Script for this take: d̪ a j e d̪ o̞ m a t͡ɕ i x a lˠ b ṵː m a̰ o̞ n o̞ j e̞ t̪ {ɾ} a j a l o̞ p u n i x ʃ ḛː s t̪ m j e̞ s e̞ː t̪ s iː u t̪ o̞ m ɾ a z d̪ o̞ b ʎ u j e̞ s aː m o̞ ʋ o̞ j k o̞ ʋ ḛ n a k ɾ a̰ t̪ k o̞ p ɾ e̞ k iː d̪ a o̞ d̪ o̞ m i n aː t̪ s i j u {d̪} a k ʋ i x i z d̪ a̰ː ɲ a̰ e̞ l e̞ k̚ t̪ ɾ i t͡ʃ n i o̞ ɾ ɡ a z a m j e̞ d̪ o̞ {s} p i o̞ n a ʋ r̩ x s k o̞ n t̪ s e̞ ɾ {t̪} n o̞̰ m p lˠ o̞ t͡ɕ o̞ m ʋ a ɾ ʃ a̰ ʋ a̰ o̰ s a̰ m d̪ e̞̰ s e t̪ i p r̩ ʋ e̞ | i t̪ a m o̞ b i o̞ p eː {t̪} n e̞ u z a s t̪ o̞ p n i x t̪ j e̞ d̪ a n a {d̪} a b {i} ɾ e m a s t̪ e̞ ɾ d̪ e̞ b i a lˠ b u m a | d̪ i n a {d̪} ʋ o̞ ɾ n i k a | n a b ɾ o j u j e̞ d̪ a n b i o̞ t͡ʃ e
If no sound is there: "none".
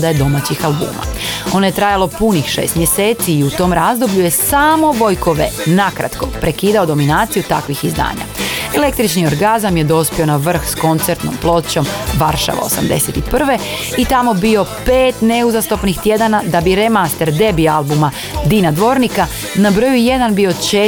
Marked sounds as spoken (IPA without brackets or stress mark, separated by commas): ɾ, t̪, s, t̪, t̪, d̪, i, d̪